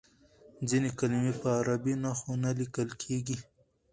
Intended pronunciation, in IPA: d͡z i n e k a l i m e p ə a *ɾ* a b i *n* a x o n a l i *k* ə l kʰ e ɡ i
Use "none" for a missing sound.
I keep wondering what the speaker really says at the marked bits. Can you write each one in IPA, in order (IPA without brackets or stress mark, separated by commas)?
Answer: ɾ, n, k